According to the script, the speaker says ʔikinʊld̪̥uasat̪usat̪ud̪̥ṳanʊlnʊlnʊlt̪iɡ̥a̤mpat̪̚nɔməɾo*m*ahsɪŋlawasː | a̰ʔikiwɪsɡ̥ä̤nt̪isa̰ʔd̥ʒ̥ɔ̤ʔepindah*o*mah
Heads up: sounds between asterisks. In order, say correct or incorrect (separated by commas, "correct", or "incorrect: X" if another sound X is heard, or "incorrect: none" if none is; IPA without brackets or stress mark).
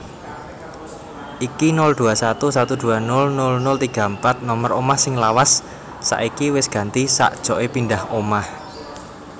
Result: correct, correct